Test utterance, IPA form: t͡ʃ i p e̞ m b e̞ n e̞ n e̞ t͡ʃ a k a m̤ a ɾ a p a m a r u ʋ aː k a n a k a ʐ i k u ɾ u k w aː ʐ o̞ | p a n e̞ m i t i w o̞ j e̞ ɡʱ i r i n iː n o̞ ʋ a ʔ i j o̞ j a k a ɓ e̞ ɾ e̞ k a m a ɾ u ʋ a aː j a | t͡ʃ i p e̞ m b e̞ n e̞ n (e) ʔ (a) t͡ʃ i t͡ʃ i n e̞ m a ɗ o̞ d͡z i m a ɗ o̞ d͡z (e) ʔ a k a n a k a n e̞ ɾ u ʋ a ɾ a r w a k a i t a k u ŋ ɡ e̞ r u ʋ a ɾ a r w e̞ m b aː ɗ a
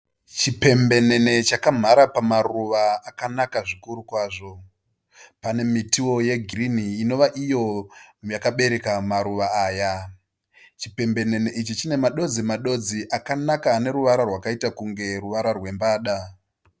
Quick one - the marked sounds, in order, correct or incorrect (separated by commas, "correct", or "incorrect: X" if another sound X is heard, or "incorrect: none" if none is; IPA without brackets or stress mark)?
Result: correct, incorrect: i, incorrect: i